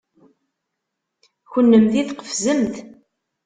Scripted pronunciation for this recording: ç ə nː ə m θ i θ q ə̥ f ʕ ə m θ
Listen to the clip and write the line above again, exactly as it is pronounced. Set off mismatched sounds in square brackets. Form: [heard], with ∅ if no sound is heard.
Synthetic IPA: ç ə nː ə m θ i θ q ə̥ f [z] ə m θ